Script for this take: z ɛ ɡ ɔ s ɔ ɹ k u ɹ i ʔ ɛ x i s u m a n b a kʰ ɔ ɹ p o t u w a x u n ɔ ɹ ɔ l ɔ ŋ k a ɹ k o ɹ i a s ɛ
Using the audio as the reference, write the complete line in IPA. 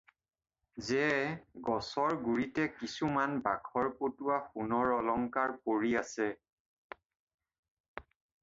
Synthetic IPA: z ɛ ɡ ɔ s ɔ ɹ ɡ u ɹ i t ɛ k i s u m a n b a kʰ ɔ ɹ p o t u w a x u n ɔ ɹ ɔ l ɔ ŋ k a ɹ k o ɹ i a s ɛ

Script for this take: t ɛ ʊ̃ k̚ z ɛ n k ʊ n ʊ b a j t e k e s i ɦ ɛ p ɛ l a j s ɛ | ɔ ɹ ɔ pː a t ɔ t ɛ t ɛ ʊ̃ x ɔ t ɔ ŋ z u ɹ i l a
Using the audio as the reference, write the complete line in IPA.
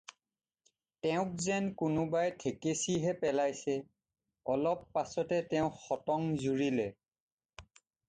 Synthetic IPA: t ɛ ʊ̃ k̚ z ɛ n k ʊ n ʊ b a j tʰ e k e s i ɦ ɛ p ɛ l a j s ɛ | ɔ l ɔ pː a s ɔ t ɛ t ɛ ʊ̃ x ɔ t ɔ ŋ z u ɹ i l ɛ

